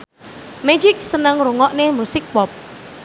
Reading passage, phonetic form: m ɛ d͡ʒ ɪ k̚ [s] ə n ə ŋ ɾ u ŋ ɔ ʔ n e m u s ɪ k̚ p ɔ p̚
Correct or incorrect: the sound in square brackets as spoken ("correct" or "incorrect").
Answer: correct